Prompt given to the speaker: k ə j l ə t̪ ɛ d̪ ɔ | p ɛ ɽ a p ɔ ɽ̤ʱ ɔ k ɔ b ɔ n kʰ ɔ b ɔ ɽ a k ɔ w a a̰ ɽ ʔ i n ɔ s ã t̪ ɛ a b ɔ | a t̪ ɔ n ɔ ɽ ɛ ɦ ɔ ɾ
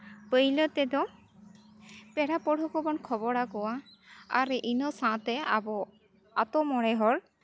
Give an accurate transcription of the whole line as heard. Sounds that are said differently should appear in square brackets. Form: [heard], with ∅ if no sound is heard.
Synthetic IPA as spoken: [p] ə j l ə t̪ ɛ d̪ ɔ | p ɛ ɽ a p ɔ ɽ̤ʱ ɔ k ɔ b ɔ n kʰ ɔ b ɔ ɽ a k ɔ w a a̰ [ɾ] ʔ i n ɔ s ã t̪ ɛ a b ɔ | a t̪ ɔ [m] ɔ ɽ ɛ ɦ ɔ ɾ